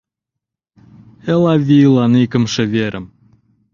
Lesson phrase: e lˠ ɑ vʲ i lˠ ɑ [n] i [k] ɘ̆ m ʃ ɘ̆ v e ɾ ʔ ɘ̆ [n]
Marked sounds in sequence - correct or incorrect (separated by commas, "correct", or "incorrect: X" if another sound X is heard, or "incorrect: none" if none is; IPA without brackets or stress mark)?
correct, correct, incorrect: m